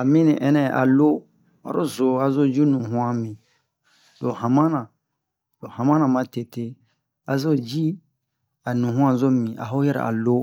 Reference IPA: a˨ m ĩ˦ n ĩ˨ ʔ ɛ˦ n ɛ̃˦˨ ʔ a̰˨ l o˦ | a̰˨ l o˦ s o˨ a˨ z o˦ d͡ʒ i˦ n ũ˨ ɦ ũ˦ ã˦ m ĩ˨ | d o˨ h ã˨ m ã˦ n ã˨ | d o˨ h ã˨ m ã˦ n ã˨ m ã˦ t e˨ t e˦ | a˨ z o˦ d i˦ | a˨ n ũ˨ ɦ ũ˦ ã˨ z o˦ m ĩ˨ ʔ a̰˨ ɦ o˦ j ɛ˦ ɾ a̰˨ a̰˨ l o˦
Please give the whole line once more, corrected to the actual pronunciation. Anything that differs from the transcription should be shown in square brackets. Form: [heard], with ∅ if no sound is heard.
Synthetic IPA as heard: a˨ m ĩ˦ n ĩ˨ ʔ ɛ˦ n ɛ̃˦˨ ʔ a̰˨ l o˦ | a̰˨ [ɾ] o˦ [z] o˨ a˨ z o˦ d͡ʒ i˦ n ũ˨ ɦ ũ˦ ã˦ m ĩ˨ | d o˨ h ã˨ m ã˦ n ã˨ | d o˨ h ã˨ m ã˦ n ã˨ m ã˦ t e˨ t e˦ | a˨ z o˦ [d͡ʒ] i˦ | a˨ n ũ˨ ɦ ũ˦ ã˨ z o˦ m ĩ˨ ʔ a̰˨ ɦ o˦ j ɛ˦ ɾ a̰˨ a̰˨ l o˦